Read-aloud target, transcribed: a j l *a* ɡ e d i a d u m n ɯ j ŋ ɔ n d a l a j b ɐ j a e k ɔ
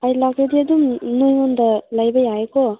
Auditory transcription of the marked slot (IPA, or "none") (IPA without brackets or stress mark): a